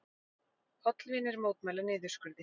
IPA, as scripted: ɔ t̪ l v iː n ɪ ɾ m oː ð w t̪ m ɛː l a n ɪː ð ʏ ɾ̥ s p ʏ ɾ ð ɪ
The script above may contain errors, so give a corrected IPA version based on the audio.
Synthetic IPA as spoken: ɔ t̪ l v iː n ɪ ɾ m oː w t̪ m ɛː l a n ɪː ð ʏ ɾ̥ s k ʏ ɾ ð ɪ